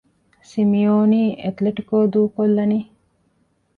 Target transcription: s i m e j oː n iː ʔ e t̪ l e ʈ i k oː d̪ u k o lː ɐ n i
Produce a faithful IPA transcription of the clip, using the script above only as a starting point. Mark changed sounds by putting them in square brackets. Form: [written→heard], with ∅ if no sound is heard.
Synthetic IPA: s i m [e→i] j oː n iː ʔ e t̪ l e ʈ i k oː d̪ [u→uː] k o lː ɐ n i